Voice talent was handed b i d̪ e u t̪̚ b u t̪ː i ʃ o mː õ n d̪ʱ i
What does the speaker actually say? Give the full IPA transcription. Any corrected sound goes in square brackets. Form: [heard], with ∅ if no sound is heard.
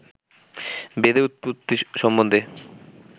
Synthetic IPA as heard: b [e] d̪ e u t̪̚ [p] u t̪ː i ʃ [ɔ] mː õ n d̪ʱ [e]